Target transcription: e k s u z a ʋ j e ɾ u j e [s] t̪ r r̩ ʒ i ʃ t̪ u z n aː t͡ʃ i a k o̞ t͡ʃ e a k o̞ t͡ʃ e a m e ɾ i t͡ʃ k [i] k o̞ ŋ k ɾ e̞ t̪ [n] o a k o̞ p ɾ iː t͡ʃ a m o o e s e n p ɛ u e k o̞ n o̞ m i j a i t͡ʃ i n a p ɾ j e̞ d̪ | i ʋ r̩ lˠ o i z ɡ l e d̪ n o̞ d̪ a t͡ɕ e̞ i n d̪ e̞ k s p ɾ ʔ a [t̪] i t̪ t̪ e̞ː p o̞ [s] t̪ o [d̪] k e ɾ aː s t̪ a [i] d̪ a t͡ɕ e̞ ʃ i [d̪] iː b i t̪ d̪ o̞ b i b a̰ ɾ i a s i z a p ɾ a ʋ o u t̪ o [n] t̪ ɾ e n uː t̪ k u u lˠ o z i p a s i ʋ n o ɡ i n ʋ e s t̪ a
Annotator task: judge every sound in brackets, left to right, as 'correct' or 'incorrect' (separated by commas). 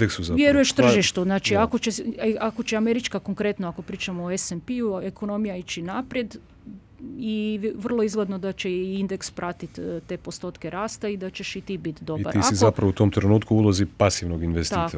incorrect, incorrect, correct, correct, correct, incorrect, correct, incorrect, incorrect